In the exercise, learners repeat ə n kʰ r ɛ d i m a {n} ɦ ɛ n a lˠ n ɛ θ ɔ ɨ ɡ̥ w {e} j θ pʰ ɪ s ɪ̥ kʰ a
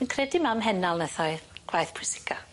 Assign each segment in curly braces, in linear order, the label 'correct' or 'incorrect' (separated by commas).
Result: incorrect, incorrect